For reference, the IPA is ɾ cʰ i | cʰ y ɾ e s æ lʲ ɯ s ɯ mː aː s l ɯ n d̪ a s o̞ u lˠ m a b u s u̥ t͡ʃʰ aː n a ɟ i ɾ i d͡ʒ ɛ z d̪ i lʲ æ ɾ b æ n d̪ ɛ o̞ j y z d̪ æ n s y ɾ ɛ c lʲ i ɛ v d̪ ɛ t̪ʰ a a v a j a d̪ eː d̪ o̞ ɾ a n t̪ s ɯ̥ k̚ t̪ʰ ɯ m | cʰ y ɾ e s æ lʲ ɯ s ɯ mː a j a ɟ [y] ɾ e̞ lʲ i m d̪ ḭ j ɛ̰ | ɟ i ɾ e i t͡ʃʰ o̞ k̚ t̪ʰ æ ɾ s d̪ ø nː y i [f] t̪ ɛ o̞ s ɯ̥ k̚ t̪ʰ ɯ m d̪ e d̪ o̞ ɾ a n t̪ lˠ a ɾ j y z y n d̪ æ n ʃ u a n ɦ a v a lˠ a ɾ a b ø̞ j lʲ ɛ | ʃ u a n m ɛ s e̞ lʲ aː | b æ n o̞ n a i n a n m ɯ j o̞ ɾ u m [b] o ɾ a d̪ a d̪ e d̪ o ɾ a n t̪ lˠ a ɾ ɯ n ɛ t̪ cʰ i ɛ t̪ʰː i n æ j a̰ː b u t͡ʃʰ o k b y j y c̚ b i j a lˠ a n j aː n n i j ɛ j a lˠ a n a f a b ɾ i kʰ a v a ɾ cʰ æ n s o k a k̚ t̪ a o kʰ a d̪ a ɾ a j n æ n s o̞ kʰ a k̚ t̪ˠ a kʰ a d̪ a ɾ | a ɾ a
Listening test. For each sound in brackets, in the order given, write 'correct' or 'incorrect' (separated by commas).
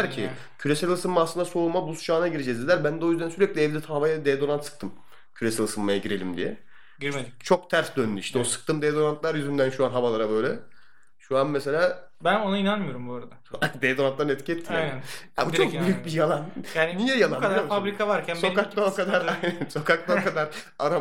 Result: incorrect, incorrect, correct